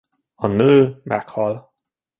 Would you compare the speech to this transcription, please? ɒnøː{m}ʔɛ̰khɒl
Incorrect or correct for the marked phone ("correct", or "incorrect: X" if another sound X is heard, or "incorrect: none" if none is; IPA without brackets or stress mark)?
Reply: correct